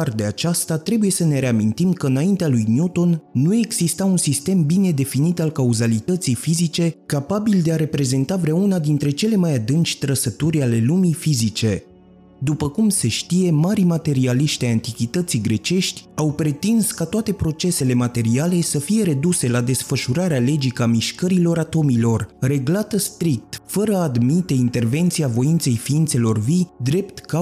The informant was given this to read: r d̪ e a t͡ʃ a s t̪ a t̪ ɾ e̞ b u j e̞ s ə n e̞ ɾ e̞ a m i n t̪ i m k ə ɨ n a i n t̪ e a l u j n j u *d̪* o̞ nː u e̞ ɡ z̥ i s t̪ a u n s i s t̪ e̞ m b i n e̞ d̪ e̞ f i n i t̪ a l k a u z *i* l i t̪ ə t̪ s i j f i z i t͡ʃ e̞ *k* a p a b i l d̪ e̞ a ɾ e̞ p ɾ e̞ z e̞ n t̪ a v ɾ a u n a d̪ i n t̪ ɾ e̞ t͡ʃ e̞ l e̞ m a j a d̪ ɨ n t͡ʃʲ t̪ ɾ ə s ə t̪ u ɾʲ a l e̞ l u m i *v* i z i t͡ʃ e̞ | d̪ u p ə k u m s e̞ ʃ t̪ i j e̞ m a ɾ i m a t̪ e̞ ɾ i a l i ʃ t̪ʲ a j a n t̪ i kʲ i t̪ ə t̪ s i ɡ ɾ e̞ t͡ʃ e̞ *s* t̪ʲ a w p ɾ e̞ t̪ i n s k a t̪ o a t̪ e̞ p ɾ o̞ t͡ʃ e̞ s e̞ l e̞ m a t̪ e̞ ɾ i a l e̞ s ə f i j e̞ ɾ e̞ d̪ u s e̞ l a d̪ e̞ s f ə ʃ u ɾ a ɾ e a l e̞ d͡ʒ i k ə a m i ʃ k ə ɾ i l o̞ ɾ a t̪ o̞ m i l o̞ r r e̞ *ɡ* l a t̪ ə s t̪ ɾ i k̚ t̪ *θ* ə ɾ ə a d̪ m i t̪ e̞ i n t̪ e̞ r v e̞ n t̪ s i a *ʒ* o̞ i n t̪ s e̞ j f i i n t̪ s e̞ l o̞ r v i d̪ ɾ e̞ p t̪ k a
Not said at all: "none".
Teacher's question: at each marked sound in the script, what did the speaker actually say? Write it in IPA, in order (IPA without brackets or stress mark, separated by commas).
t̪, a, k, f, ʃ, ɡ, f, v